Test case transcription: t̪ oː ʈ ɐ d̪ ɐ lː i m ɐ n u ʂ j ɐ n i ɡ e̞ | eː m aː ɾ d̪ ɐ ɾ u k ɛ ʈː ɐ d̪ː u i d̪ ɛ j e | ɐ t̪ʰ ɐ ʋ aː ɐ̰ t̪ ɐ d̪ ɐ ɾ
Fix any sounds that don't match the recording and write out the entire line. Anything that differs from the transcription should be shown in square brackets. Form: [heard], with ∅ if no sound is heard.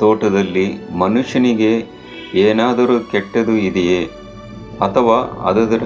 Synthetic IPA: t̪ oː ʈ ɐ d̪ ɐ lː i m ɐ n u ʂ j ɐ n i ɡ e̞ | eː [n] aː [∅] d̪ ɐ ɾ u k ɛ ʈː ɐ [d̪] u i d̪ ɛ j e | ɐ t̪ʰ ɐ ʋ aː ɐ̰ [d̪] ɐ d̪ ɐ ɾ